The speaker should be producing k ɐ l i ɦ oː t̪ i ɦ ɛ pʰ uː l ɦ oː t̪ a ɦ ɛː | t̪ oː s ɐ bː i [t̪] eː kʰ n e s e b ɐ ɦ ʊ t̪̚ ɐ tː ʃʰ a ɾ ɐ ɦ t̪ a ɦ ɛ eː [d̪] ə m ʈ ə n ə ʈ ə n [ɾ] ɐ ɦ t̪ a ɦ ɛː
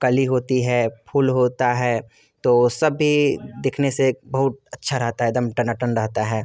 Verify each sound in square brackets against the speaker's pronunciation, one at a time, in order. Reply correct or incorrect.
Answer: incorrect: d̪, correct, correct

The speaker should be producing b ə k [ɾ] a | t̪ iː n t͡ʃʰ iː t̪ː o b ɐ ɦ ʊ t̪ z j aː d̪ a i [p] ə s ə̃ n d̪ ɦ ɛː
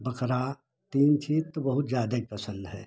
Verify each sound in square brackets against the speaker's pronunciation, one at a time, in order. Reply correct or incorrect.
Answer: correct, correct

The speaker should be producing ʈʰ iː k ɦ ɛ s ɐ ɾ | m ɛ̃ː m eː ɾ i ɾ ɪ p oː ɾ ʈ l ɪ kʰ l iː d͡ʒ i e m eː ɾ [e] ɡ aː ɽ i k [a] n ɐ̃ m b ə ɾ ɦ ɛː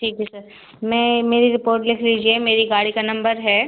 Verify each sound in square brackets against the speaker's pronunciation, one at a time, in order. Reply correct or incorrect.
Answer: incorrect: i, correct

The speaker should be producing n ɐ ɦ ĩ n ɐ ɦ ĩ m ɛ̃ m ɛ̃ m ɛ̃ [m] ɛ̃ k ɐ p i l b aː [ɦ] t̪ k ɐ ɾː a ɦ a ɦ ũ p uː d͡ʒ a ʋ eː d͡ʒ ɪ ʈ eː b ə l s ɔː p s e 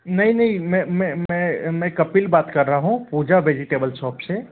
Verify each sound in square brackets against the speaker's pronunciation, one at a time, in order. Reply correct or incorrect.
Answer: correct, incorrect: none

